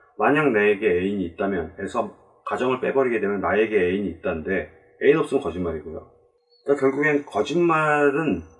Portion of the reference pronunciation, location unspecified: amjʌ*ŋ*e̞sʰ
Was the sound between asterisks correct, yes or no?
no